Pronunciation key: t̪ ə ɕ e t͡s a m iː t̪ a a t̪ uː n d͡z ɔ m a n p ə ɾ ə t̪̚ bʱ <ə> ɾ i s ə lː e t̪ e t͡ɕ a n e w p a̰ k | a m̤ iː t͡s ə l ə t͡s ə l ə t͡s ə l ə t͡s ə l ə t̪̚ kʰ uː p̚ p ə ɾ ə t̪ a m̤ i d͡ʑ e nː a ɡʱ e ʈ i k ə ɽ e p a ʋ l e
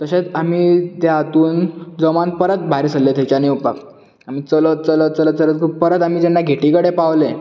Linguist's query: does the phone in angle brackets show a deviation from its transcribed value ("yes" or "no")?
yes